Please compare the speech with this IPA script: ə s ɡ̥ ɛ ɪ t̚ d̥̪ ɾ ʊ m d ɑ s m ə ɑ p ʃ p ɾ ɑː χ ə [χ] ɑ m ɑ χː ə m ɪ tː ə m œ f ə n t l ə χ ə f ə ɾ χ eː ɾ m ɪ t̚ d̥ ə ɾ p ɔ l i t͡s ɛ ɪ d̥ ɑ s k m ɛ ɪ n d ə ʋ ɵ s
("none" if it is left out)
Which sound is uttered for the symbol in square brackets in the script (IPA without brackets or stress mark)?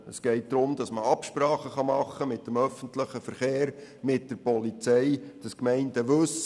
χ